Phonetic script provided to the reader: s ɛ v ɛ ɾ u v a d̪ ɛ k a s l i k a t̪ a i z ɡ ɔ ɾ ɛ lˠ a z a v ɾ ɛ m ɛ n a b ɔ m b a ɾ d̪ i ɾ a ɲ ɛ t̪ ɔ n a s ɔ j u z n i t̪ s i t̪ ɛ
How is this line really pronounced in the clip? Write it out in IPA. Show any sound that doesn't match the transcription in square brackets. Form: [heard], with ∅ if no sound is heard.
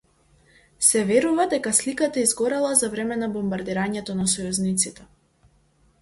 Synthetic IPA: s ɛ v ɛ ɾ u v a d̪ ɛ k a s l i k a t̪ a i z ɡ ɔ ɾ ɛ lˠ a z a v ɾ ɛ m ɛ n a b ɔ m b a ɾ d̪ i ɾ a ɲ ɛ t̪ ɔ n a s ɔ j u z n i t̪ s i t̪ ɛ